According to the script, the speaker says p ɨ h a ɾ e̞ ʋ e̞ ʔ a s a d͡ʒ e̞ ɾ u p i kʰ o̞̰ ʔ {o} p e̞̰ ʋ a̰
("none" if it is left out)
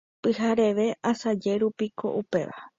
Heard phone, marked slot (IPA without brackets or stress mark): u